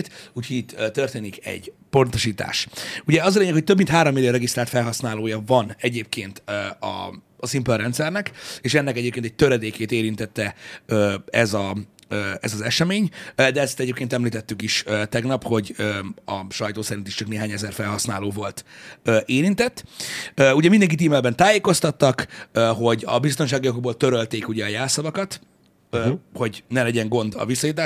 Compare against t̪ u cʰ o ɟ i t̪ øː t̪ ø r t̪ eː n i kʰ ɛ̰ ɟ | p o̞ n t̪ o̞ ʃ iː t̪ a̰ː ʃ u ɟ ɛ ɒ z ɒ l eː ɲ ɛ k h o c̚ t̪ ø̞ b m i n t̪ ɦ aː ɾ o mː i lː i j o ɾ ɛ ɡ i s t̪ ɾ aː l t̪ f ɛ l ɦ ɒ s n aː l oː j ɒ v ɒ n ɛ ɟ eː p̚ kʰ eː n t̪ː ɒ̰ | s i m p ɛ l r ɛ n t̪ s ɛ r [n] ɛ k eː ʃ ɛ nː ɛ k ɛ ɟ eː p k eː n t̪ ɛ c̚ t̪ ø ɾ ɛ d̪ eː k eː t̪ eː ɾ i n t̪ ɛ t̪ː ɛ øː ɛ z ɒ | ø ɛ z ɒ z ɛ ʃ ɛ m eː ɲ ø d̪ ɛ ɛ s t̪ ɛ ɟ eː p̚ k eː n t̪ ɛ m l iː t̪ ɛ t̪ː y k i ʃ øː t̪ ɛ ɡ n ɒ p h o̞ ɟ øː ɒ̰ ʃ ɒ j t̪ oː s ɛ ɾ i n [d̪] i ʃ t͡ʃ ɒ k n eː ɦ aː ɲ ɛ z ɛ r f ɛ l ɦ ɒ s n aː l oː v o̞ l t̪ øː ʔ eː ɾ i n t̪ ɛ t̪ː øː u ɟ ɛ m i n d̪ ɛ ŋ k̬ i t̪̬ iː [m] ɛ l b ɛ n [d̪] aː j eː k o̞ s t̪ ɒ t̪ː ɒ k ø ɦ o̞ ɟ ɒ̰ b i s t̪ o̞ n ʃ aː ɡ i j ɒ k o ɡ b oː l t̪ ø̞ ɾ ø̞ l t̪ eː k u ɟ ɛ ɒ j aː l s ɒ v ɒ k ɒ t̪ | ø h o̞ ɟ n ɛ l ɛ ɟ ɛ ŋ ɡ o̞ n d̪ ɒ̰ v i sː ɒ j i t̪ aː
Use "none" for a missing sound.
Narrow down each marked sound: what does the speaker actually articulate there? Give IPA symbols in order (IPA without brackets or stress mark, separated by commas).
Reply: n, t̪, m, t̪